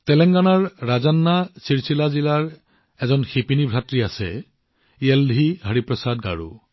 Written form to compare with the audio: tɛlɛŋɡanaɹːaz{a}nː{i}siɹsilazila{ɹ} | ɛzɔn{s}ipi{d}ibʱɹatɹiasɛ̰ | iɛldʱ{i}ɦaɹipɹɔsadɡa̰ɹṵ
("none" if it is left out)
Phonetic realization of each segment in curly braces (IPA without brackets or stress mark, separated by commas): a, a, ɹ, x, n, i